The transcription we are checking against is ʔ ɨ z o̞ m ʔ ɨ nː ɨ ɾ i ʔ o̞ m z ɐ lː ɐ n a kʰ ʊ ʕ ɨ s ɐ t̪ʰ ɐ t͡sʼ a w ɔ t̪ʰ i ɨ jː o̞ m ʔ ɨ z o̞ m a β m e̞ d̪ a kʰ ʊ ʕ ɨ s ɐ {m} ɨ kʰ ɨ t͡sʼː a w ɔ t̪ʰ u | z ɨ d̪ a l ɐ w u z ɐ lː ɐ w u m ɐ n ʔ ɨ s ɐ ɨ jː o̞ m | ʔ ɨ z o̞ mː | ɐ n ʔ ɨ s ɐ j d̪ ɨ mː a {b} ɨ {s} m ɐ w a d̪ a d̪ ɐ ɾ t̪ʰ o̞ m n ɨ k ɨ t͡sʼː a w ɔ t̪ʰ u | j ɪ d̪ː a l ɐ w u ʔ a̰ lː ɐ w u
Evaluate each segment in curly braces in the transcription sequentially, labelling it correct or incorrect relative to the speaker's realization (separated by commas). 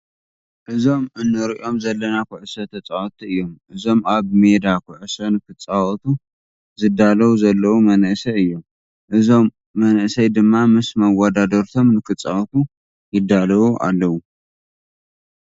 incorrect, incorrect, correct